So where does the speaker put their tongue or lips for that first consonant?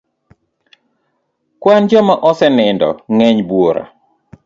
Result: velum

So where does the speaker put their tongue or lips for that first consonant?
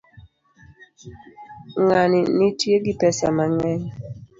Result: velum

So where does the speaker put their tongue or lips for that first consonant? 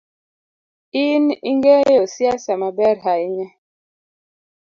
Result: tongue tip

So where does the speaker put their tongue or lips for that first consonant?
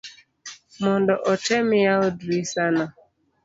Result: lips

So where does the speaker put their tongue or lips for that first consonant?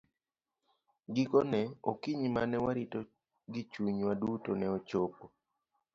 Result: velum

